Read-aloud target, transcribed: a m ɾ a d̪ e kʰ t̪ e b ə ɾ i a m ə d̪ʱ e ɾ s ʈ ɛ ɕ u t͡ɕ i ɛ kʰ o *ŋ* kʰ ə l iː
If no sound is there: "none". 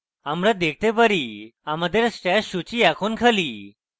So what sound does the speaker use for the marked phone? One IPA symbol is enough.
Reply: n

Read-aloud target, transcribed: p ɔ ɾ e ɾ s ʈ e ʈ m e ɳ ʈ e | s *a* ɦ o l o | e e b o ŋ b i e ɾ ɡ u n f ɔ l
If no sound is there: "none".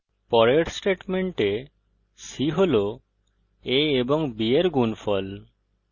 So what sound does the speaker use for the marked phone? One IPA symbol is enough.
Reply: i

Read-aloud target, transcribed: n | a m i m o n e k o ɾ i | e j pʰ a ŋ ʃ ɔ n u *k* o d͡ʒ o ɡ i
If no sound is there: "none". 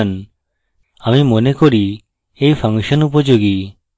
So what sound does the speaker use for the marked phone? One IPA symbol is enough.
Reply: p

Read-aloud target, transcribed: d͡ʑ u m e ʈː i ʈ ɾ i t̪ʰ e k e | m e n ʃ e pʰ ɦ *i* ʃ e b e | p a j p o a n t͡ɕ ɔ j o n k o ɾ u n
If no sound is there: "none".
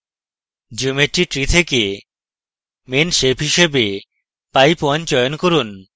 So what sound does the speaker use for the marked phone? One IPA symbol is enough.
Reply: i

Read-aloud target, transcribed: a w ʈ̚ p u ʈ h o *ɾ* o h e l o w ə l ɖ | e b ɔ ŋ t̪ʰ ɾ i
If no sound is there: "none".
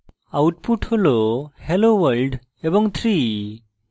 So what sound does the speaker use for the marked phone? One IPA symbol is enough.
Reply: l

